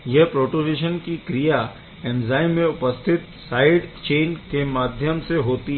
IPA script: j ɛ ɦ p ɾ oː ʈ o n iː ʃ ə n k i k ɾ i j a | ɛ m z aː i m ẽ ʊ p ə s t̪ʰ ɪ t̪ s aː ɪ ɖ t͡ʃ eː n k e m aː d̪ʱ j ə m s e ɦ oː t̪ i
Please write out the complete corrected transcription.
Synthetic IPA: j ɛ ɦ p ɾ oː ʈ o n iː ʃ ə n k i k ɾ i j a | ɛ m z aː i m ẽ ʊ p ə s t̪ʰ ɪ t̪ s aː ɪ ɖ t͡ʃ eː n k e m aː d̪ʱ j ə m s e ɦ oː t̪ i

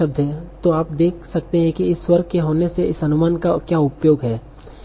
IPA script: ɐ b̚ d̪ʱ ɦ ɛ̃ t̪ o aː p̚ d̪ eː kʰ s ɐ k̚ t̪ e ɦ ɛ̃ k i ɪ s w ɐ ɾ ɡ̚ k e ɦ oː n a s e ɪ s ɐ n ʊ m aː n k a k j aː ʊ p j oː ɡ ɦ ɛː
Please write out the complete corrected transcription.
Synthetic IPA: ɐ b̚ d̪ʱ ɦ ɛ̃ t̪ o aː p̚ d̪ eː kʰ s ɐ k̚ t̪ e ɦ ɛ̃ k i ɪ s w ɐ ɾ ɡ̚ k e ɦ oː n e s e ɪ s ɐ n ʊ m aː n k a k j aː ʊ p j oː ɡ ɦ ɛː

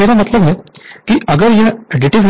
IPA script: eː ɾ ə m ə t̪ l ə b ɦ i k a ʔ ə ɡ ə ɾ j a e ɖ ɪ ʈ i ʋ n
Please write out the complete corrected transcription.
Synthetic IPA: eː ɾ a m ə t̪ l ə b ɦ ɛ k i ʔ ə ɡ ə ɾ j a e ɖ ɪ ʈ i ʋ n

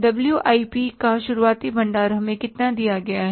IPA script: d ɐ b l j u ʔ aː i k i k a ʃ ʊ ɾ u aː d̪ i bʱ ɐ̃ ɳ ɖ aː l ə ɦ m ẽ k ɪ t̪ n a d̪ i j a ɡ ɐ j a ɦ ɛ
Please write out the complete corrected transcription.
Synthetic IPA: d ɐ b l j u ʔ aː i p i k a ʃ ʊ ɾ u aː t̪ i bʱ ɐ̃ ɳ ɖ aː ɾ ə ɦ m ẽ k ɪ t̪ n a d̪ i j a ɡ ɐ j a ɦ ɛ

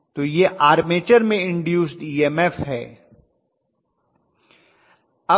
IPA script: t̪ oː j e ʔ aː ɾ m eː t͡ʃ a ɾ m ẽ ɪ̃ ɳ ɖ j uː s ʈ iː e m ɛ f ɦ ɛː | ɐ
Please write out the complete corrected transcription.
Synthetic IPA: t̪ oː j e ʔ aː ɾ m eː t͡ʃ ə ɾ m ẽ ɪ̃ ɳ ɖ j uː s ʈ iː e m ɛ f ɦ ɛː | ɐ

